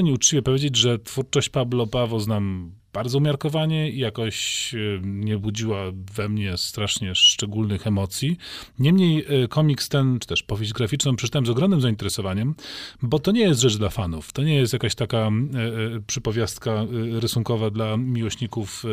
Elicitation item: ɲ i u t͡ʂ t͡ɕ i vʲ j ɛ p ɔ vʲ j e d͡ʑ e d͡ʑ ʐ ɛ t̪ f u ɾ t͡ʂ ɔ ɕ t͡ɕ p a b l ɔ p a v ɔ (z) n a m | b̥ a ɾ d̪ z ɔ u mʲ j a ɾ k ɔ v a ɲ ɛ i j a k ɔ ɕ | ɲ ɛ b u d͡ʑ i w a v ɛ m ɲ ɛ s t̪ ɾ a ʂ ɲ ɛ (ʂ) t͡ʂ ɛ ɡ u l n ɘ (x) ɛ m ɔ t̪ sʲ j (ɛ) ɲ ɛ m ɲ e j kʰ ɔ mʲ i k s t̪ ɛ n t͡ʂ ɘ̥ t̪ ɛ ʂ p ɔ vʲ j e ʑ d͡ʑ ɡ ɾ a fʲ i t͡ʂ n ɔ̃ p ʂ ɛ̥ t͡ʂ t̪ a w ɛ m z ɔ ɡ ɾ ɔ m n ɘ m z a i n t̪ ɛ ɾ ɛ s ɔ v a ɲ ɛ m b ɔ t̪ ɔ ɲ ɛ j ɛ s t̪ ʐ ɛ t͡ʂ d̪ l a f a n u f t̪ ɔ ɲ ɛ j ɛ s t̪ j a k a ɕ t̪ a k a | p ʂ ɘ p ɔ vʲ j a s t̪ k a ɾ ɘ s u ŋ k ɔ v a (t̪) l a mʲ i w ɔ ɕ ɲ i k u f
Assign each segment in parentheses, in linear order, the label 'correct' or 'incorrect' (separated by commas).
correct, correct, correct, incorrect, incorrect